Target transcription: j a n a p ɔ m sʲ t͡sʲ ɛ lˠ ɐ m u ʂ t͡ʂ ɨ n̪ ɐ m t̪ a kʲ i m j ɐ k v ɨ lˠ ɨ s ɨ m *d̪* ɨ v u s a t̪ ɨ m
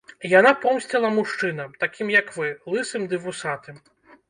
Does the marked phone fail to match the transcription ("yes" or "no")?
no